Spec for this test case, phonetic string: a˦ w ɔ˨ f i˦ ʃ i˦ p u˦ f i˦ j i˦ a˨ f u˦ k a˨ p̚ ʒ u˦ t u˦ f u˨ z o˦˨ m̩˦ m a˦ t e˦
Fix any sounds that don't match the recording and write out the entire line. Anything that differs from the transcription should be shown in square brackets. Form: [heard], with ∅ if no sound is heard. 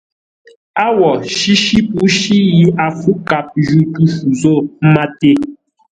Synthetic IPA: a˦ w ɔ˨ [ʃ] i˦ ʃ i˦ p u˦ [ʃ] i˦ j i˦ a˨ f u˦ k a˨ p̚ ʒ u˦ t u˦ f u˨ z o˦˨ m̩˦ m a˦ t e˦